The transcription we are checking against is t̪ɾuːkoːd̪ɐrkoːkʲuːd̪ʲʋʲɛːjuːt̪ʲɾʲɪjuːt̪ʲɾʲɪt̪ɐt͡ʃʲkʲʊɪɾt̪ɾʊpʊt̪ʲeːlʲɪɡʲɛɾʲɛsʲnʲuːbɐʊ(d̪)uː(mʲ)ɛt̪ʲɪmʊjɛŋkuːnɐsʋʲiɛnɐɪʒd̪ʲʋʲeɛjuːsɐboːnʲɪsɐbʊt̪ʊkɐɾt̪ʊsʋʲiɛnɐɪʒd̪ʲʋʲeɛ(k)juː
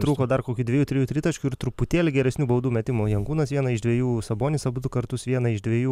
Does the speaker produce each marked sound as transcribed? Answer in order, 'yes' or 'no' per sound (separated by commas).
yes, yes, no